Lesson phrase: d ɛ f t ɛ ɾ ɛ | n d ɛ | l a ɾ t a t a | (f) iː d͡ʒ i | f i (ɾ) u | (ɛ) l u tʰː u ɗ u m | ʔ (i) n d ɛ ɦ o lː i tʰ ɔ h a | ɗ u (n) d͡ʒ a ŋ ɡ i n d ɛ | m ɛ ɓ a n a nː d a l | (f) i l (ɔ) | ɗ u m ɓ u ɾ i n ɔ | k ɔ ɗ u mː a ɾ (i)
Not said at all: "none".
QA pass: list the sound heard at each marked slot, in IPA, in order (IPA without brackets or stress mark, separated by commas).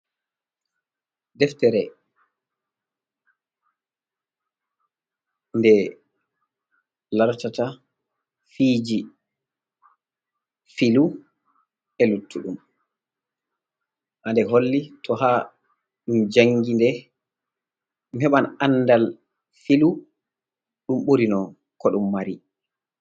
f, l, ɛ, a, m, f, u, i